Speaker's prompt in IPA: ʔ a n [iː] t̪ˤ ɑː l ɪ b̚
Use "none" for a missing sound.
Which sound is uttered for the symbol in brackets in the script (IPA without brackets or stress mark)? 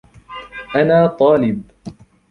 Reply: aː